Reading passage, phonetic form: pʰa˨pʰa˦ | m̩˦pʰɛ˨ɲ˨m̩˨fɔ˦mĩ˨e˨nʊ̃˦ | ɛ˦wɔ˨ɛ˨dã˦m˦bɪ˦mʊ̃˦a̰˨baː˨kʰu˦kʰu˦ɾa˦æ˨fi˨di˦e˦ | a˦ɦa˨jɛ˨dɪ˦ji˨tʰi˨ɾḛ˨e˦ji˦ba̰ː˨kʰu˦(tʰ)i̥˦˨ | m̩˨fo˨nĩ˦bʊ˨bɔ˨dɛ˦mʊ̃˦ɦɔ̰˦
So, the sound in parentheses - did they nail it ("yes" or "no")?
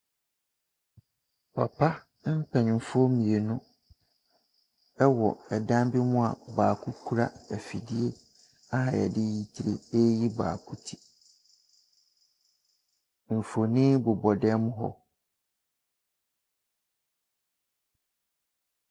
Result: yes